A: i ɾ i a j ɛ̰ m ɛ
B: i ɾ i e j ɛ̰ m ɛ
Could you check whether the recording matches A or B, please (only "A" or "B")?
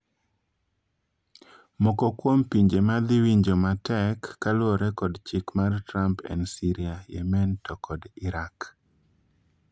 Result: A